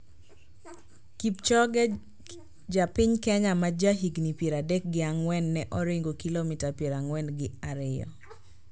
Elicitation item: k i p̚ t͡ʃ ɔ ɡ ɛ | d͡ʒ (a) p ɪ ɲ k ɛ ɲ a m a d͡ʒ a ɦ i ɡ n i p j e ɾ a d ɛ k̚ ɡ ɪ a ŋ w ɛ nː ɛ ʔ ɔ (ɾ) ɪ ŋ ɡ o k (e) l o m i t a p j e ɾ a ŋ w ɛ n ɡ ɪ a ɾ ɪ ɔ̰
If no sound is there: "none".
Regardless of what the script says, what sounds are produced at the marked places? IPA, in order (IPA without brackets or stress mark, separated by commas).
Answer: a, ɾ, i